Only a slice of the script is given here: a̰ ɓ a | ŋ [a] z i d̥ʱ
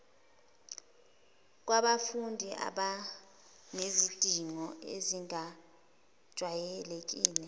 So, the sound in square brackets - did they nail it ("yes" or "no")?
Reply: no